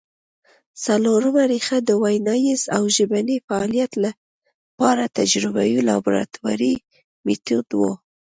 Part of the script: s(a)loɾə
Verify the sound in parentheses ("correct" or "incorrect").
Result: correct